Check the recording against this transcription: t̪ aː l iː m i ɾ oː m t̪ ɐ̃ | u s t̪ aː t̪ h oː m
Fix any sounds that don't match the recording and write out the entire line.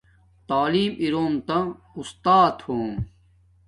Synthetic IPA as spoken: t̪ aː l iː m i ɾ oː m t̪ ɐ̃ | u s t̪ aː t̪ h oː m